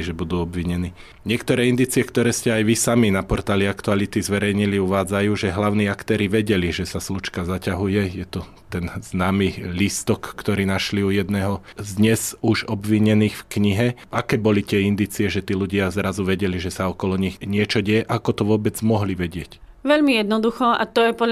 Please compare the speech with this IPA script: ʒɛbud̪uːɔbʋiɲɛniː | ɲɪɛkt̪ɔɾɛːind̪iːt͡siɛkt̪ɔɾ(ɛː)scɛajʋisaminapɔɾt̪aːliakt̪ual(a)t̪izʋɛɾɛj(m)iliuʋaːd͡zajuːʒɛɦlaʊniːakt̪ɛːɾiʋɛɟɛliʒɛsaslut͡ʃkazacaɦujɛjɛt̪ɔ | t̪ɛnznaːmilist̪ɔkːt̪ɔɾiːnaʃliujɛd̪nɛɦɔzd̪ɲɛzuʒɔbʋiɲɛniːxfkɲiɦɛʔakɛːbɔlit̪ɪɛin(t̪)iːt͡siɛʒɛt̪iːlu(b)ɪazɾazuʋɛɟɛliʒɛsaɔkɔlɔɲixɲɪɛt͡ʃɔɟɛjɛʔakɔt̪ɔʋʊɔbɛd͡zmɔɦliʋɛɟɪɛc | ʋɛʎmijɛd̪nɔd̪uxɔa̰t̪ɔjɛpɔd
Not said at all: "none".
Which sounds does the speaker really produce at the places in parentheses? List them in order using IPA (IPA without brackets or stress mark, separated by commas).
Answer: ɛː, i, ɲ, d̪, ɟ